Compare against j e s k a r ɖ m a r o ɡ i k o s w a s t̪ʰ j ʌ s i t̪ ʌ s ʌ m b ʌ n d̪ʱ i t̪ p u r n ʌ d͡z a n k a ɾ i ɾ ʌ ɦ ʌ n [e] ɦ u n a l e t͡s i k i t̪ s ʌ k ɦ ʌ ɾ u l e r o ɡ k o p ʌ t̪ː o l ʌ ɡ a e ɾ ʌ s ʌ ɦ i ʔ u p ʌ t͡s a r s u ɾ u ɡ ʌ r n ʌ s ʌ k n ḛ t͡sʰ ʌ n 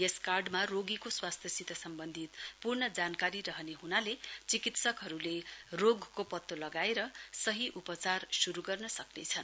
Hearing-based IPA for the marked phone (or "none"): e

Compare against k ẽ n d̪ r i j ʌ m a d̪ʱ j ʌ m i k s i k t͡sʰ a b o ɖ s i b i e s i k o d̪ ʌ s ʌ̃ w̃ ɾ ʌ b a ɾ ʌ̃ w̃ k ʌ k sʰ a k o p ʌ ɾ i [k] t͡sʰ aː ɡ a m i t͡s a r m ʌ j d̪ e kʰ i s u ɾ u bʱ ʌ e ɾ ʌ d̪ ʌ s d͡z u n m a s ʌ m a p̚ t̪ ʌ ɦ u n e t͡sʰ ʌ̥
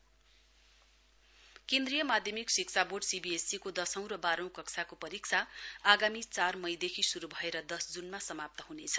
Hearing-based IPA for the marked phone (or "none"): k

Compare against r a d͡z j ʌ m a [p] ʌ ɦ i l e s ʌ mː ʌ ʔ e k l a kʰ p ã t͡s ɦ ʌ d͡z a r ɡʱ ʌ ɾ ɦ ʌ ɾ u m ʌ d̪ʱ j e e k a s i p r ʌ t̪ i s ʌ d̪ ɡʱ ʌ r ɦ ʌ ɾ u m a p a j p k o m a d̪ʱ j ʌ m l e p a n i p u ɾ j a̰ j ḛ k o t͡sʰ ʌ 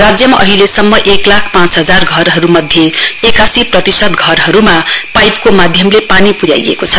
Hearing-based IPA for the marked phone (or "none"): ʔ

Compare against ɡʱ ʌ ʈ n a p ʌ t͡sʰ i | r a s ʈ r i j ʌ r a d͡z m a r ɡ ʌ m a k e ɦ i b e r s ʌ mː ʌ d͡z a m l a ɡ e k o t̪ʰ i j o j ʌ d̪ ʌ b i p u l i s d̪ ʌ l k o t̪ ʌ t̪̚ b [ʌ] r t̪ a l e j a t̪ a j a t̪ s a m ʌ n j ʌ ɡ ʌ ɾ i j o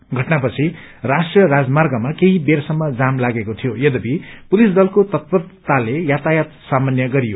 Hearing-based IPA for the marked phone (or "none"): ʌ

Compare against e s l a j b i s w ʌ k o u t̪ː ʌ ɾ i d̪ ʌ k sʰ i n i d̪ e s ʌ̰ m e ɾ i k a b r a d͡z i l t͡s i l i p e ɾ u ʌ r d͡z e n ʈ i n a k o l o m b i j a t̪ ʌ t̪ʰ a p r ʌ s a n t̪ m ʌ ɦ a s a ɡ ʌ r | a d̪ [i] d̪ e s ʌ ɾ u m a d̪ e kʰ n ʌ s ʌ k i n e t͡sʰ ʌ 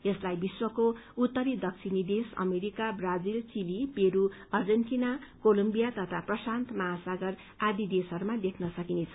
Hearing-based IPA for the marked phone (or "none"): i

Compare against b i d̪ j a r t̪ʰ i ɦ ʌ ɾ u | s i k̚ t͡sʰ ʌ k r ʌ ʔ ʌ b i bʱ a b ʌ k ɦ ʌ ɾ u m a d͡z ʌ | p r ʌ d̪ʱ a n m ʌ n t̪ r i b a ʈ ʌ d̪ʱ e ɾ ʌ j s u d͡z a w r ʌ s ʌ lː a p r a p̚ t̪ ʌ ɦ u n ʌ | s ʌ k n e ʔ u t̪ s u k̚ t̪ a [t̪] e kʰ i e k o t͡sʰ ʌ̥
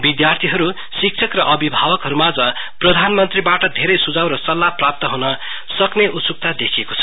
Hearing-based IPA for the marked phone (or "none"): d̪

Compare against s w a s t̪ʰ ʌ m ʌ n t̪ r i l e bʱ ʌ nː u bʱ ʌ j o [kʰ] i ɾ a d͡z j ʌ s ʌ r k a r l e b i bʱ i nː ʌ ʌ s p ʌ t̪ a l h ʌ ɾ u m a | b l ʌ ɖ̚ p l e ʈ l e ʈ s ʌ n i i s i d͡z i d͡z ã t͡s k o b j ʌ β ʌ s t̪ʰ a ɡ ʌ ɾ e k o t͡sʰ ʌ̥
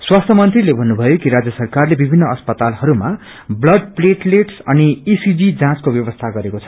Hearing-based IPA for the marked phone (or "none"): k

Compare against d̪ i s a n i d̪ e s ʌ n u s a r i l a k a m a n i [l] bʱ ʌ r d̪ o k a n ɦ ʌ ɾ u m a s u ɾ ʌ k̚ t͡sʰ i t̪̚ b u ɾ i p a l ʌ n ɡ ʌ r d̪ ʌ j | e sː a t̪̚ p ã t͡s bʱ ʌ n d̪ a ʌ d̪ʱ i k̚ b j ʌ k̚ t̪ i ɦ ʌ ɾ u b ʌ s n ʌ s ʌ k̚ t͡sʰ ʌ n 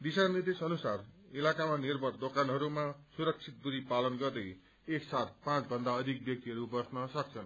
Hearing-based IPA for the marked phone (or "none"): r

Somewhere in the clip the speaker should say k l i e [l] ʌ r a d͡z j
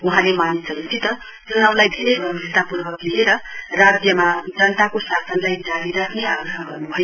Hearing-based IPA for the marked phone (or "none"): ɾ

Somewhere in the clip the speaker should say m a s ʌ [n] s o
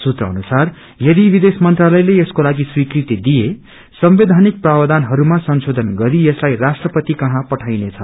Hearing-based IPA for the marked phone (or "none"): n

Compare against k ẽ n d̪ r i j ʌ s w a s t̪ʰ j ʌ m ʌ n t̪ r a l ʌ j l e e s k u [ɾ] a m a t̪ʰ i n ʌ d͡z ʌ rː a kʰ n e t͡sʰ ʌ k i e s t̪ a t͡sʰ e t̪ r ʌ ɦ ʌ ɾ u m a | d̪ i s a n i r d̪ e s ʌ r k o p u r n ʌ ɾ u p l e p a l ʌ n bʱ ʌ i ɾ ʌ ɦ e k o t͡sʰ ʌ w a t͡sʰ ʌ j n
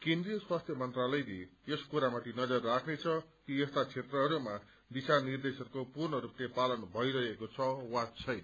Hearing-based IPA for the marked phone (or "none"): ɾ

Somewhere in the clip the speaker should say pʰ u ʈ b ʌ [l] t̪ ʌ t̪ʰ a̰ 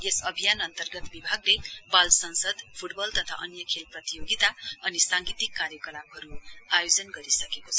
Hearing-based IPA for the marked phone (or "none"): l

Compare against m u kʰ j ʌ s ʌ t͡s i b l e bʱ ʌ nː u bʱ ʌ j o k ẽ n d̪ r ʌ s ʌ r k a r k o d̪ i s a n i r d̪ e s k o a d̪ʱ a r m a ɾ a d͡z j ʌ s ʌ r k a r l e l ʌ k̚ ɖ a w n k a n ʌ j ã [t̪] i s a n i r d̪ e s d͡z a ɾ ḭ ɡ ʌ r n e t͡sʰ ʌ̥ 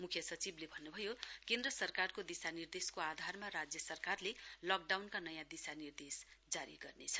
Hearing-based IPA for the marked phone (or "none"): d̪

